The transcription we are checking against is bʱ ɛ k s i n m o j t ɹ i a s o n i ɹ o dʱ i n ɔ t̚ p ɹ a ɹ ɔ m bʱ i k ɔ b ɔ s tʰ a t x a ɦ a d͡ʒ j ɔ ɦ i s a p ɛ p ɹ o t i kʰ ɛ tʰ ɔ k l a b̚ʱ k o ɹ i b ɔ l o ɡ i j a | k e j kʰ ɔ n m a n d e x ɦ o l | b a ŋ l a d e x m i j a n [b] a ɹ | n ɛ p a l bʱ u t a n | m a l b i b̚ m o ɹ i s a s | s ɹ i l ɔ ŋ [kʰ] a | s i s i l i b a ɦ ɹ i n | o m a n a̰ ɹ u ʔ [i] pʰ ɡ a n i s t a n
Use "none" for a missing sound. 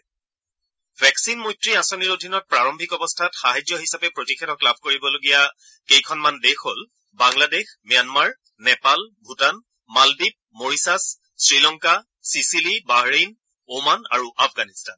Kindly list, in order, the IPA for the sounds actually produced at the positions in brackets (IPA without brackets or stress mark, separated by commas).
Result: m, k, a